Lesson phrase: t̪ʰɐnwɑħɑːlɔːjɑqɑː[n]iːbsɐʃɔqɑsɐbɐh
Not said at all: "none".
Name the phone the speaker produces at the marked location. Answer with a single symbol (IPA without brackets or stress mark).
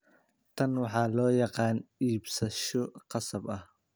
n